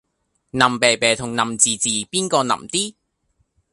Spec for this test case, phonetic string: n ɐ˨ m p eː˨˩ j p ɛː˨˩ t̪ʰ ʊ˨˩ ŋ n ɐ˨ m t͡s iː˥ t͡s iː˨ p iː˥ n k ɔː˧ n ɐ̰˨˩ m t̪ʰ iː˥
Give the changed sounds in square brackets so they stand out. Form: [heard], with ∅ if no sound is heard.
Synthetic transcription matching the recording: n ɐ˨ m p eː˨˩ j p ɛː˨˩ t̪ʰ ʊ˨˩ ŋ n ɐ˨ m t͡s [iː˨] t͡s iː˨ p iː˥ n k ɔː˧ n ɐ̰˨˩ m [t̪] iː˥